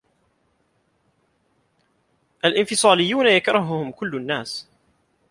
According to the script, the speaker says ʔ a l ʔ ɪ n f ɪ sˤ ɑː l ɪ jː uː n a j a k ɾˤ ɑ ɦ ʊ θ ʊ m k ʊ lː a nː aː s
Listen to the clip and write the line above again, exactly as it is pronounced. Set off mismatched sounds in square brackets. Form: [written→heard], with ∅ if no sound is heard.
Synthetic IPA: ʔ a l ʔ ɪ n f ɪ sˤ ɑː l ɪ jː uː n a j a k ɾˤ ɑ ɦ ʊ [θ→h] ʊ m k ʊ lː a nː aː s